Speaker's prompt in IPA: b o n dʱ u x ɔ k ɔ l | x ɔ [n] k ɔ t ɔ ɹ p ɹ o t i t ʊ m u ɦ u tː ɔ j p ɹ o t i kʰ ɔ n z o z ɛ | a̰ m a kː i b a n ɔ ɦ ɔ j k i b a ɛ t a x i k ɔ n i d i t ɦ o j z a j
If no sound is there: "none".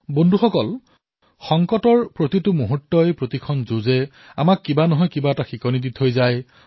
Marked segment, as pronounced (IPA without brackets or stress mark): ŋ